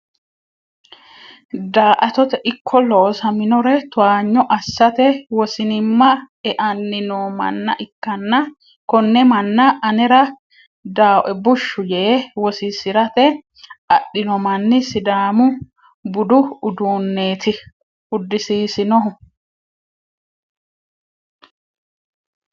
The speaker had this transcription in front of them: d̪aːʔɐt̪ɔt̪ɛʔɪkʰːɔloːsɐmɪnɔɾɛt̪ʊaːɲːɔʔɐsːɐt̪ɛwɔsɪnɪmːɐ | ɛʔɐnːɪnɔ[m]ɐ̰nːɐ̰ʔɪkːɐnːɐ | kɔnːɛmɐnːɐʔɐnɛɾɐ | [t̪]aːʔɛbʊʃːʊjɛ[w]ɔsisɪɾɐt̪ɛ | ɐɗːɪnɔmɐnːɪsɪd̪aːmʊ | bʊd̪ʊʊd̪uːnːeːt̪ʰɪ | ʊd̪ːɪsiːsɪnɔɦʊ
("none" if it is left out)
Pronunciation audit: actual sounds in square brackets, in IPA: m, d̪, w

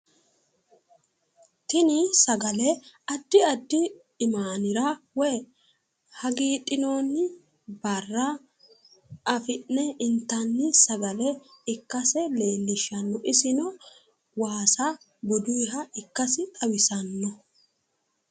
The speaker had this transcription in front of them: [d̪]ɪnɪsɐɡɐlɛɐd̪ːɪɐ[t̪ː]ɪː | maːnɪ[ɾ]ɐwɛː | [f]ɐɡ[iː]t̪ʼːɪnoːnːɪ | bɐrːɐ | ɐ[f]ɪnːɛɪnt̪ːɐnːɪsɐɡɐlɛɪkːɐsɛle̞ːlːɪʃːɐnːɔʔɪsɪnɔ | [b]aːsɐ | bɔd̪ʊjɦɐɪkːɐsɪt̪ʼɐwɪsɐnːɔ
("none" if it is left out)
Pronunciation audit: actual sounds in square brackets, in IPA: t̪, d̪ː, ɾ, h, iː, f, w

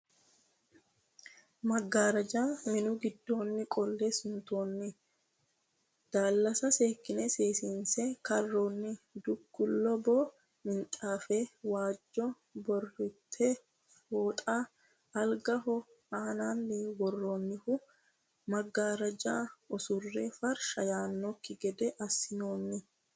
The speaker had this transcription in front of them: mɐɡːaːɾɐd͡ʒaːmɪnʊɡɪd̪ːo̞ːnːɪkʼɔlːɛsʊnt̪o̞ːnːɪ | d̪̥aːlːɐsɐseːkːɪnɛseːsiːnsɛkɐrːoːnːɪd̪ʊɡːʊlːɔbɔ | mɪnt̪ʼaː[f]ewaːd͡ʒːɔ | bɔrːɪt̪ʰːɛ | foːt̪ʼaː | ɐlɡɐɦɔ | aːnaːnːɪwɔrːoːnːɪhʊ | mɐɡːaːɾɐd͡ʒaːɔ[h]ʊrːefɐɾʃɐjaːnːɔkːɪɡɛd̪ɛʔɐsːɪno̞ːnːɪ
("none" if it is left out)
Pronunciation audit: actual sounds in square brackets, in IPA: f, s

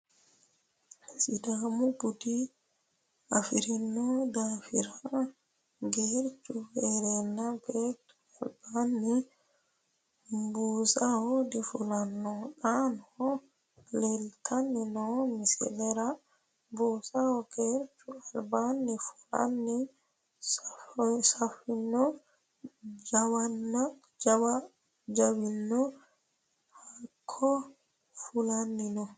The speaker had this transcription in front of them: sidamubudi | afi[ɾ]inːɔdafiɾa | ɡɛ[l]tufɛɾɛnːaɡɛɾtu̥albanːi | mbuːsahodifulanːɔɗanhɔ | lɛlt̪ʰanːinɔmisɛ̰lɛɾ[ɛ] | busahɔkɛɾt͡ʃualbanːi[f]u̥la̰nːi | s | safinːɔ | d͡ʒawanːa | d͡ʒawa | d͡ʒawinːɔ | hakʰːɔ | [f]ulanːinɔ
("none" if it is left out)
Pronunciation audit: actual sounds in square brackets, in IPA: ɾ, ɾ, a, f, f

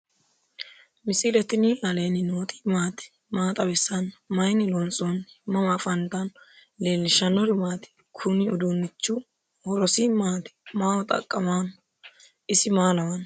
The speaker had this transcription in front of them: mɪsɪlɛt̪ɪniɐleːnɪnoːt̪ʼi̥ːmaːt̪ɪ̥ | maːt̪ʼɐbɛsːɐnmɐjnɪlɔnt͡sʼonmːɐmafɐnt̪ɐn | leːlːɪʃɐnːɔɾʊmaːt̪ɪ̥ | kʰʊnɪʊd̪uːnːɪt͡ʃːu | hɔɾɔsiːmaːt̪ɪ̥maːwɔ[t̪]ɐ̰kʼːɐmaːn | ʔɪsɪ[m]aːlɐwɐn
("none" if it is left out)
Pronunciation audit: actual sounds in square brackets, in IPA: t̪ʼ, m

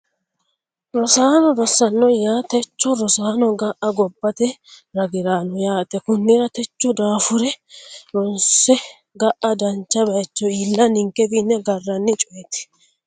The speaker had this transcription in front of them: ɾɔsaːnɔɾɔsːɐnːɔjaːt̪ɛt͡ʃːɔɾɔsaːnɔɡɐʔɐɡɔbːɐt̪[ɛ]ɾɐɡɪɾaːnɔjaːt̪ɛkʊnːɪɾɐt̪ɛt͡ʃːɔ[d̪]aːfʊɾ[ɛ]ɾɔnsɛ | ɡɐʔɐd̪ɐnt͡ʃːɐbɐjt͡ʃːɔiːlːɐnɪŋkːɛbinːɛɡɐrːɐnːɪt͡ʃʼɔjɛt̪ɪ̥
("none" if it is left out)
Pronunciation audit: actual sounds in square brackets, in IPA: ɛ, d̪, ɛ

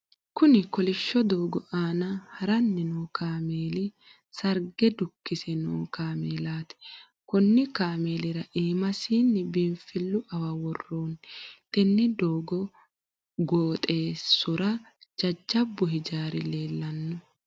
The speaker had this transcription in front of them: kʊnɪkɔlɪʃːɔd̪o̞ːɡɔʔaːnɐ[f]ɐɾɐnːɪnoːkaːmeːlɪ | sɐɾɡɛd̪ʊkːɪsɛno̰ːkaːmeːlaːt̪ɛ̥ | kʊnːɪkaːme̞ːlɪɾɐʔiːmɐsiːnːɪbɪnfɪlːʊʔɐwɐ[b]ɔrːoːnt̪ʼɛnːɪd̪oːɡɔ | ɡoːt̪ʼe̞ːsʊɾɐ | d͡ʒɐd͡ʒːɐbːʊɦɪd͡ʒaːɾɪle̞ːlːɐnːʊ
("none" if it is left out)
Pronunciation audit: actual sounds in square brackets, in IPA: h, w

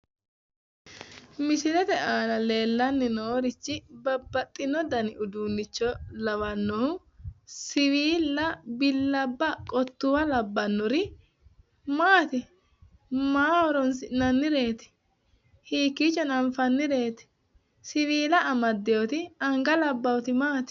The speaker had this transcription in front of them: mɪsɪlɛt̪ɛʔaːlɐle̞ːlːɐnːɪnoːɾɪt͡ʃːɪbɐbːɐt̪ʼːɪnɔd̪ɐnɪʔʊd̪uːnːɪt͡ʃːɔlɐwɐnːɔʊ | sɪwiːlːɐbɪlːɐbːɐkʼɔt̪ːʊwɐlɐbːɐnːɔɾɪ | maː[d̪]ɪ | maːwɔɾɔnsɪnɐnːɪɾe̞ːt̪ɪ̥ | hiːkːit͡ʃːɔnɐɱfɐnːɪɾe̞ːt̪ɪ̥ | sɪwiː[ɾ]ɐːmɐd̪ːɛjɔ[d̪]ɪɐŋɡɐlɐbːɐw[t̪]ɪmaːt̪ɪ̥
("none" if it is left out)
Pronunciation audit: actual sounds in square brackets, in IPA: t̪, l, t̪, t̪

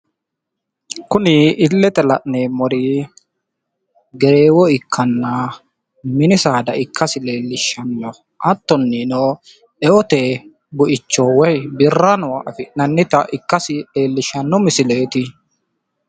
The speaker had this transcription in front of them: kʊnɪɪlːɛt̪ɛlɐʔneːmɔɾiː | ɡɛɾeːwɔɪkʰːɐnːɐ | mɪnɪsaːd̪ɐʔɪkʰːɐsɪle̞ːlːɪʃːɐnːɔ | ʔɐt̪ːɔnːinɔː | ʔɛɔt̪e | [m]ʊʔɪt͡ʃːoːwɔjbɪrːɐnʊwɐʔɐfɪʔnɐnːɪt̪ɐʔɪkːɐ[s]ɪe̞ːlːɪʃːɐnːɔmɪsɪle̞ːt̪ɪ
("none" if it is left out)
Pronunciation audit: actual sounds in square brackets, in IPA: b, s

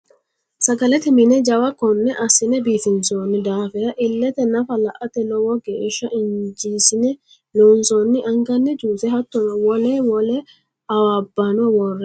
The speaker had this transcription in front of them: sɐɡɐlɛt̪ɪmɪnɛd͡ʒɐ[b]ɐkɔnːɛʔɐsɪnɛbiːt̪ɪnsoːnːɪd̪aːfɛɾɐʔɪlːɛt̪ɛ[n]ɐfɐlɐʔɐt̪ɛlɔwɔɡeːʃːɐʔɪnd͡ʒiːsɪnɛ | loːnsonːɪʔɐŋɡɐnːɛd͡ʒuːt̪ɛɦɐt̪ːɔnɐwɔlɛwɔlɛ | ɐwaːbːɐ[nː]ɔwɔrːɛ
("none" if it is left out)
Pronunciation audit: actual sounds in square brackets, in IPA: w, n, n

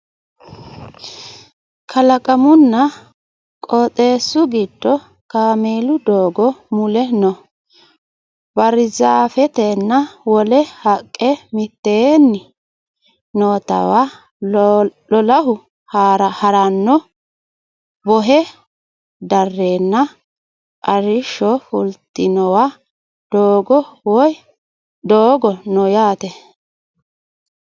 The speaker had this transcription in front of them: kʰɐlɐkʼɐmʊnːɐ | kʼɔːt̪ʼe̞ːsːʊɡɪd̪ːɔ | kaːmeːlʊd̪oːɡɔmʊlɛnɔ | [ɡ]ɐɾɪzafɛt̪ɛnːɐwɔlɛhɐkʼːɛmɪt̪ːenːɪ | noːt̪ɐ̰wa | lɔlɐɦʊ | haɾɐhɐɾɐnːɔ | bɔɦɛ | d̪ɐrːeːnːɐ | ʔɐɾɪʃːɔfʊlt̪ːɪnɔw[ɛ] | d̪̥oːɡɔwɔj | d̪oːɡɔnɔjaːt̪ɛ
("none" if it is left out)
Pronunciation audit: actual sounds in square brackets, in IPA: b, a

